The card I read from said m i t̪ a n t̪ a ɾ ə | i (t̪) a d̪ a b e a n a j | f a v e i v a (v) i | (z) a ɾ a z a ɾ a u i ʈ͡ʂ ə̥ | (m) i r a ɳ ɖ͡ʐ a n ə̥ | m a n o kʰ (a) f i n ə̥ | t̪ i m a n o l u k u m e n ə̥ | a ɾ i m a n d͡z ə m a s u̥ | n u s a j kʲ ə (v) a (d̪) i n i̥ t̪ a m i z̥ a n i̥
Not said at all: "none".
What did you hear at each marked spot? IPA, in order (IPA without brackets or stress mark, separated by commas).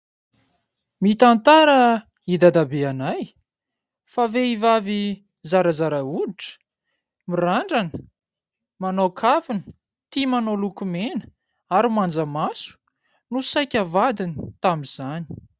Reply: d̪, v, z, m, a, v, d̪